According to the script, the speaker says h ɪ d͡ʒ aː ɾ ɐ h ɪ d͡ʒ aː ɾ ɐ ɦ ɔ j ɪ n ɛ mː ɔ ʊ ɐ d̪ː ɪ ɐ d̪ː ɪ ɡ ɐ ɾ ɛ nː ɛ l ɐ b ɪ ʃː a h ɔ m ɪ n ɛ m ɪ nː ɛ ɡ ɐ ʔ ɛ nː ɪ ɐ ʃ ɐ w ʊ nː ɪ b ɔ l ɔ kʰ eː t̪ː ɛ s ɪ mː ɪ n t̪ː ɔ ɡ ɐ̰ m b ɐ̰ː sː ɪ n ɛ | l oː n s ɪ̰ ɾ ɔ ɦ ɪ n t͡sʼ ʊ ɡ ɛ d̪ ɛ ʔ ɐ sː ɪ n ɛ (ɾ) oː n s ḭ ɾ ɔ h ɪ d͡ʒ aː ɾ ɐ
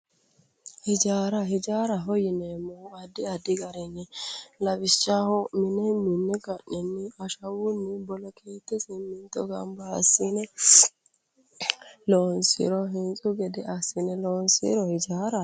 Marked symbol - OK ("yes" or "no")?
no